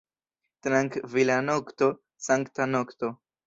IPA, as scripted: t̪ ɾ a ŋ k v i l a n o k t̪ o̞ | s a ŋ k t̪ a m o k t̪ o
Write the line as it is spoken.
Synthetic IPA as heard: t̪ ɾ a ŋ k v i l a n o k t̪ o̞ | s a ŋ k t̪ a n o k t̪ o